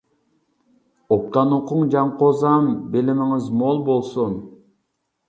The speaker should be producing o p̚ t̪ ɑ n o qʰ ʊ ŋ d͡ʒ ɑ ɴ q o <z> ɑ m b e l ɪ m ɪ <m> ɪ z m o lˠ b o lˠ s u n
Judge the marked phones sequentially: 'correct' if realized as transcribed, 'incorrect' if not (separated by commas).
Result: correct, incorrect